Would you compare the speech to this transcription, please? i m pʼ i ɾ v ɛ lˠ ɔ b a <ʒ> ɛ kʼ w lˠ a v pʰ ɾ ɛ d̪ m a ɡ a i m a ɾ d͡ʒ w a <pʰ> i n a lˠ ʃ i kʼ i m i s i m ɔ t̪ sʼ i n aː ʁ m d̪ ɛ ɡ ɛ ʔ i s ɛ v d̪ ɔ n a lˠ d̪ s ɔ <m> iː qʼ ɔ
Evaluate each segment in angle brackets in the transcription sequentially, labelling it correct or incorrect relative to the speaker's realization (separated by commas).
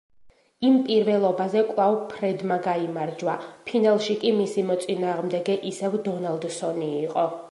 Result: incorrect, correct, incorrect